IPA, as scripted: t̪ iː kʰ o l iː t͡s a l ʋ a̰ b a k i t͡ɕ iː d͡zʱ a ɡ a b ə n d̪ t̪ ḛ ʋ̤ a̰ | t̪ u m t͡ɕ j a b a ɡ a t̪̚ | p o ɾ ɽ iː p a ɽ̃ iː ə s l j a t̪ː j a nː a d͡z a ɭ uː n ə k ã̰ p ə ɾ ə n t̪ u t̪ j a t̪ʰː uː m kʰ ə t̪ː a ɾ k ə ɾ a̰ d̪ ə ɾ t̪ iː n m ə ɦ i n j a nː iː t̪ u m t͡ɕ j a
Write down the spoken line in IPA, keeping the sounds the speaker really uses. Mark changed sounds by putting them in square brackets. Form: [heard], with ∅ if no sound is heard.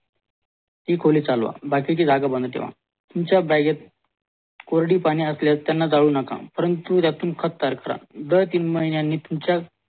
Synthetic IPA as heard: t̪ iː kʰ o l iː t͡s a l ʋ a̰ b a k i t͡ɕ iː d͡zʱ a ɡ a b ə n d̪ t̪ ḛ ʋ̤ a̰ | t̪ u m t͡ɕ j a b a ɡ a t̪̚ | [k] o ɾ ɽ iː p a ɽ̃ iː ə s l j a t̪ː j a nː a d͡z a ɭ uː n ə k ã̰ p ə ɾ ə n t̪ u t̪ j a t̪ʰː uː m kʰ ə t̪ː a ɾ k ə ɾ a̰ d̪ ə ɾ t̪ iː n m ə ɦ i n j a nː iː t̪ u m t͡ɕ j a